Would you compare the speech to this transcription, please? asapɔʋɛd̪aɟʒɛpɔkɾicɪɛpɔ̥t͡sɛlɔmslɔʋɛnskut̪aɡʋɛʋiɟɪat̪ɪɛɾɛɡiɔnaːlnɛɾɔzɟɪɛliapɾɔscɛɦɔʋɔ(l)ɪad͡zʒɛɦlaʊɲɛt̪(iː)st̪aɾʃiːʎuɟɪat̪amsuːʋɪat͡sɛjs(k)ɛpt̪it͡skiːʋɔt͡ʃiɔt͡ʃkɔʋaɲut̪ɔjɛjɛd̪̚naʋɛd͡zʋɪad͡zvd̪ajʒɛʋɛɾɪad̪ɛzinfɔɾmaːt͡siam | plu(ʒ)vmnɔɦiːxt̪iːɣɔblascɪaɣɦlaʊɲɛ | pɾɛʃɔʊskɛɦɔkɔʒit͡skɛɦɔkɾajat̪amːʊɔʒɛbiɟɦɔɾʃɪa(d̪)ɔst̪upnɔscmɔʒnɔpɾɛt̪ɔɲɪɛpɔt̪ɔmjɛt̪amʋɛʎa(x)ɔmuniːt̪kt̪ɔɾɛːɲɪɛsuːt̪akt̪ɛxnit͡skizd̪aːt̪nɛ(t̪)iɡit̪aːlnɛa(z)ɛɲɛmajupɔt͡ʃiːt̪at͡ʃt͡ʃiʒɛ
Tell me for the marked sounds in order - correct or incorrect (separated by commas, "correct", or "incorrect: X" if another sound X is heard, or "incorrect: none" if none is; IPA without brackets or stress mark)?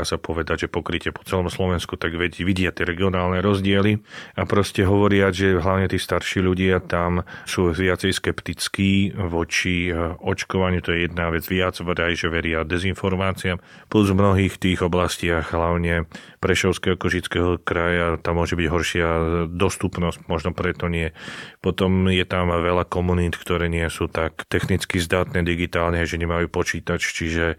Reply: incorrect: ɾ, correct, correct, incorrect: z, correct, incorrect: k, incorrect: d̪, incorrect: ʒ